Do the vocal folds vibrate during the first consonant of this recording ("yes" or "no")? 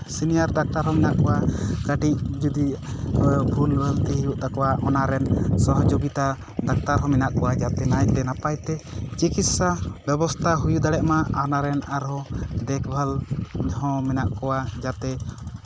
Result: no